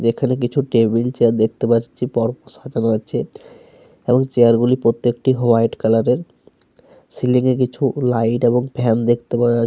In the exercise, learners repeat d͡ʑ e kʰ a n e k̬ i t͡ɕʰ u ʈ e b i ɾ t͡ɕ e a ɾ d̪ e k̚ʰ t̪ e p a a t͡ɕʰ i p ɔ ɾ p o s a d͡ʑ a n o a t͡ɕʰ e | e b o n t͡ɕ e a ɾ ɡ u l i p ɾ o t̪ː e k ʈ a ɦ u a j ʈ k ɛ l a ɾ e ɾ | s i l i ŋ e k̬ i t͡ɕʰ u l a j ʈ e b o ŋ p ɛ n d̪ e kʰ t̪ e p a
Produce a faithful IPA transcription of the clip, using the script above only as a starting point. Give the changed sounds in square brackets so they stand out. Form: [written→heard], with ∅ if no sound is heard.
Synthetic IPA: d͡ʑ e kʰ a n e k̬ i t͡ɕʰ u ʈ e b i [ɾ→l] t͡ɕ e a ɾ d̪ e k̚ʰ t̪ e p a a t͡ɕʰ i p ɔ ɾ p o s a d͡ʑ a n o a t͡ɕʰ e | e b o [n→ŋ] t͡ɕ e a ɾ ɡ u l i p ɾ o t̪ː e k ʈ [a→i] ɦ [u→o] a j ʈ k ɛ l a ɾ e ɾ | s i l i ŋ e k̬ i t͡ɕʰ u l a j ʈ e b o ŋ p ɛ n d̪ e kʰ t̪ e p a